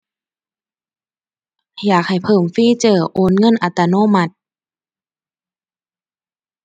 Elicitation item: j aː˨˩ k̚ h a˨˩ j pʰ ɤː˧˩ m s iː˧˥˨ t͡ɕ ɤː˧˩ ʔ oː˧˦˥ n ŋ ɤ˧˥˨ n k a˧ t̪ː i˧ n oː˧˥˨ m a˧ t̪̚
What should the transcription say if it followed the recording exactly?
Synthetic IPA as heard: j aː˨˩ k̚ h a˨˩ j pʰ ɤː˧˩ m f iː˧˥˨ t͡ɕ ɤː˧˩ ʔ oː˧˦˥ n ŋ ɤ˧˥˨ n ʔ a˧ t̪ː a˧ n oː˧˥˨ m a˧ t̪̚

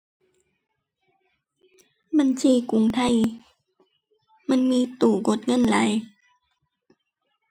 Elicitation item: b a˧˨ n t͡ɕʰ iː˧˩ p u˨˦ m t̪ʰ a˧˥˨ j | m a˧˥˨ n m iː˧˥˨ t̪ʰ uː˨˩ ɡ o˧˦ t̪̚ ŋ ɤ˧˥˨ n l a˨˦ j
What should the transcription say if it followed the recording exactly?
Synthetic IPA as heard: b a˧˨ n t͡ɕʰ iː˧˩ k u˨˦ ŋ t̪ʰ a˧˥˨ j | m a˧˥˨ n m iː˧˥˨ t̪ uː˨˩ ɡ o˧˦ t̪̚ ŋ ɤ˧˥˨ n l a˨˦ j

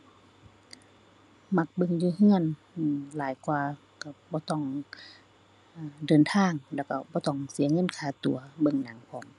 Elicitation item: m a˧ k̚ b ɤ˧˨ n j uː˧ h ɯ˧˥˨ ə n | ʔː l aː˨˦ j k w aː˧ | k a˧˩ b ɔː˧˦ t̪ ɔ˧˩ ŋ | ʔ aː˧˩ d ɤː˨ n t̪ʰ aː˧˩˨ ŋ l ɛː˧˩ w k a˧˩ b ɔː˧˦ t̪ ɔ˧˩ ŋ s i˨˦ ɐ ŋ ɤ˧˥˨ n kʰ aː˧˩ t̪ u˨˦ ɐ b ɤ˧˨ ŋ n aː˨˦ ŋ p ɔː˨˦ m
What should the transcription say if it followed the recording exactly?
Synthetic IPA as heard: m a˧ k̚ b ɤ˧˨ ŋ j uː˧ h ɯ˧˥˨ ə n | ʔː l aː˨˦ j k w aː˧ | k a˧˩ b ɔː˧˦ t̪ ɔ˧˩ ŋ | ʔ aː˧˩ d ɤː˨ n t̪ʰ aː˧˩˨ ŋ l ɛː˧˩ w k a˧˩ b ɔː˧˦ t̪ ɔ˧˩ ŋ s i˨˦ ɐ ŋ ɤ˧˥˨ n kʰ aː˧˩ t̪ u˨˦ ɐ b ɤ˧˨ ŋ n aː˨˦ ŋ pʰ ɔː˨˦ m

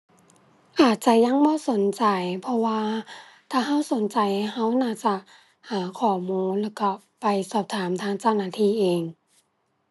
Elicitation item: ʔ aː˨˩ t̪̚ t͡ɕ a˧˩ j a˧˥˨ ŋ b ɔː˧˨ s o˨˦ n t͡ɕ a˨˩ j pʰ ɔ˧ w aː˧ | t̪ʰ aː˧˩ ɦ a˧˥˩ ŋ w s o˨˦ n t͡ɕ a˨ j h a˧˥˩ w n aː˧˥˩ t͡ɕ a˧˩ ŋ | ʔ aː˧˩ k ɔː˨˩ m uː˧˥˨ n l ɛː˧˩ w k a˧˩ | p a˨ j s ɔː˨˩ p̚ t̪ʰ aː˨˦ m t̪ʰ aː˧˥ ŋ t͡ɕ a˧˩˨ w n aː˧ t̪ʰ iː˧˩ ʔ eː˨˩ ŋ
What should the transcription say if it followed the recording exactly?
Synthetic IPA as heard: ʔ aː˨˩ t̪̚ t͡ɕ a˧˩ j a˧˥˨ ŋ b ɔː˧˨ s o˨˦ n t͡ɕ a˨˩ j pʰ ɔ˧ w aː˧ | t̪ʰ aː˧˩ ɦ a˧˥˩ w s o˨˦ n t͡ɕ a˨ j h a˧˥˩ w n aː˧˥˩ t͡ɕ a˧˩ | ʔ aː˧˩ kʰ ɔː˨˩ m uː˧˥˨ n l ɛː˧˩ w k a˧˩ | p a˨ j s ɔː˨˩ p̚ t̪ʰ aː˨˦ m t̪ʰ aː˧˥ ŋ t͡ɕ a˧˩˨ w n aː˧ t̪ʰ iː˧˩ ʔ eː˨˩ ŋ

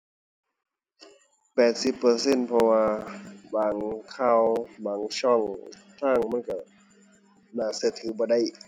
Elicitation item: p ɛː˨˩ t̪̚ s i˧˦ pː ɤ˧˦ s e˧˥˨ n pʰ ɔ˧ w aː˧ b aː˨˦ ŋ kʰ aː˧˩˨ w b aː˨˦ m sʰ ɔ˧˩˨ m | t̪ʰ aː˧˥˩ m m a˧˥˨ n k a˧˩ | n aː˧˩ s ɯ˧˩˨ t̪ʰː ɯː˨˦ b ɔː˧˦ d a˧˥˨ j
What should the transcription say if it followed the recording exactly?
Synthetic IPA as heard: p ɛː˨˩ t̪̚ s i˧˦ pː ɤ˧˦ s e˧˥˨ n pʰ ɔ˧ w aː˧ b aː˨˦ ŋ kʰ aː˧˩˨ w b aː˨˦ ŋ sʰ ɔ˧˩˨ ŋ | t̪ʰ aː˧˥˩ ŋ m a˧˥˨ n k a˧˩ | n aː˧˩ s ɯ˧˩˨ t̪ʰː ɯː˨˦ b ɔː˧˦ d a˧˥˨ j

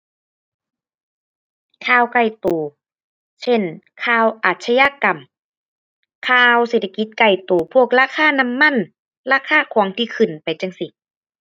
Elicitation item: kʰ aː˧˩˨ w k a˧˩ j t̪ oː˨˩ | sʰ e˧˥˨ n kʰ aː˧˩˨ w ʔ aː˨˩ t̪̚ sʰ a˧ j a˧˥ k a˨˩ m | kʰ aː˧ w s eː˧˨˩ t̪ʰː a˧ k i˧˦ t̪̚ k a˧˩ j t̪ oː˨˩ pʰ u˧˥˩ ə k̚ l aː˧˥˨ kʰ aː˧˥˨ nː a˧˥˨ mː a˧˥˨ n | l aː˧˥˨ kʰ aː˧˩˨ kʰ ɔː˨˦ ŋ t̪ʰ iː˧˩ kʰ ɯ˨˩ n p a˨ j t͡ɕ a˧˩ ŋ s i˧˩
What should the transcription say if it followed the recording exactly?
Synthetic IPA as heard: kʰ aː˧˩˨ w k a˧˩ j t̪ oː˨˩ | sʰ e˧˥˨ n kʰ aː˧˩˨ w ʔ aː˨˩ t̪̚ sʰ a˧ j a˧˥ k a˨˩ m | kʰ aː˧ w s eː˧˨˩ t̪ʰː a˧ k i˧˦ t̪̚ k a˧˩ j t̪ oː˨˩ pʰ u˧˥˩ ə k̚ l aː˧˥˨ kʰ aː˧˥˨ n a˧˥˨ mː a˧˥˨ n | l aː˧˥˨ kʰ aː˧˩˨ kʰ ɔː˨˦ ŋ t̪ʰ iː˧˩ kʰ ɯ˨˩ n p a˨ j t͡ɕ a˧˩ ŋ s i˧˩

